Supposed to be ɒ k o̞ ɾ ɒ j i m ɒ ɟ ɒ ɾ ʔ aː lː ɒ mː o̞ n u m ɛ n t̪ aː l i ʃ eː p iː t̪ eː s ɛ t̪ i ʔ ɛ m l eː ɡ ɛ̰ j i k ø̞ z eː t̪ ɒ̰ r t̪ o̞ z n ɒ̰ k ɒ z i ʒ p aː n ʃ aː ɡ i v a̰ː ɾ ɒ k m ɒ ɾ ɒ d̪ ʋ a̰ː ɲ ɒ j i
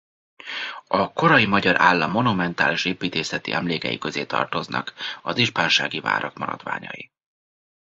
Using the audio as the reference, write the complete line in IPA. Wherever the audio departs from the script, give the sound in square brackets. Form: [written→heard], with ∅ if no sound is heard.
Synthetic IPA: ɒ k o̞ ɾ ɒ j i m ɒ ɟ ɒ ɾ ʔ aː lː ɒ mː o̞ n u m ɛ n t̪ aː l i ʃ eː p iː t̪ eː s ɛ t̪ i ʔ ɛ m l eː [ɡ→k] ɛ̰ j i k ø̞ z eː t̪ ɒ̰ r t̪ o̞ z n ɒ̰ k ɒ z i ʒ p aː n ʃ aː ɡ i v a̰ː ɾ ɒ k m ɒ ɾ ɒ d̪ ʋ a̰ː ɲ ɒ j i